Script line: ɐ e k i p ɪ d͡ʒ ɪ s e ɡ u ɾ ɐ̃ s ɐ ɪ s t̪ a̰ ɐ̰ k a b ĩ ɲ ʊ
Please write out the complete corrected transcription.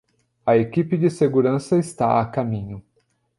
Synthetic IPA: ɐ e k i p ɪ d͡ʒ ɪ s e ɡ u ɾ ɐ̃ s ɐ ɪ s t̪ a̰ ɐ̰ k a m ĩ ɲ ʊ